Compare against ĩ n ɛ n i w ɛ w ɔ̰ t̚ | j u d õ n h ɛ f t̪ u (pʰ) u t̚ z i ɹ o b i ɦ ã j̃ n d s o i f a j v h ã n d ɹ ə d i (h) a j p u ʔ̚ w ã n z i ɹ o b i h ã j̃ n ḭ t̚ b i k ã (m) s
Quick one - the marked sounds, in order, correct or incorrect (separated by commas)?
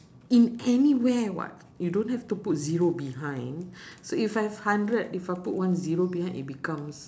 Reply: incorrect, incorrect, correct